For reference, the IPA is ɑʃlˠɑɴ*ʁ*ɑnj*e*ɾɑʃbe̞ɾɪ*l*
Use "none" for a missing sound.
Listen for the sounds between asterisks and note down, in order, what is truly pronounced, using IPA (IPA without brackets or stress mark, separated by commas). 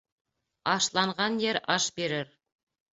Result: ʁ, e, ɾ